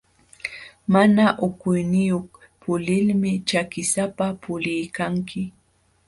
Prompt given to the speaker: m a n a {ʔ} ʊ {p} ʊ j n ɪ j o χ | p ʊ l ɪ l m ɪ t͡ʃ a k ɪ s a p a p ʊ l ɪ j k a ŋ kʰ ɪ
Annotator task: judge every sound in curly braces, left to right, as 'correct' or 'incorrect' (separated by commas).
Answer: correct, incorrect